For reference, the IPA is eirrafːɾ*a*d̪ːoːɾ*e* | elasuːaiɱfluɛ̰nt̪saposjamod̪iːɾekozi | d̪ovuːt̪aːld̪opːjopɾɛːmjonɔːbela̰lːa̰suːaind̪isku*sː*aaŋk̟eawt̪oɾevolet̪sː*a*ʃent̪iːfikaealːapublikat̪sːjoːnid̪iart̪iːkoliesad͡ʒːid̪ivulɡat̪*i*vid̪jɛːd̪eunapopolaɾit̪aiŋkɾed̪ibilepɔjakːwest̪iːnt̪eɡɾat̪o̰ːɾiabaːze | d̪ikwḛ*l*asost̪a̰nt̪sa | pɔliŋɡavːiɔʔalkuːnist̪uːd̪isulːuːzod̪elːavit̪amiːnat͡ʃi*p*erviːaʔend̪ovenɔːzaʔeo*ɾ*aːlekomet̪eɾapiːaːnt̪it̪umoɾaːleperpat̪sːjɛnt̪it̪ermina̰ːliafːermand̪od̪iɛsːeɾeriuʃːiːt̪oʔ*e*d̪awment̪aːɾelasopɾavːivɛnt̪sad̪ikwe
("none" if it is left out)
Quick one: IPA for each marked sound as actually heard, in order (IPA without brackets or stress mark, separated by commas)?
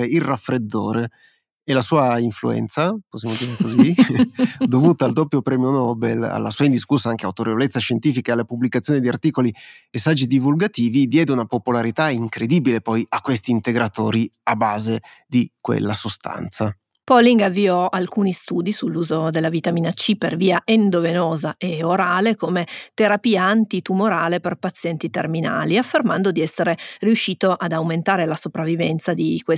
e, e, sː, a, iː, lː, p, ɾ, a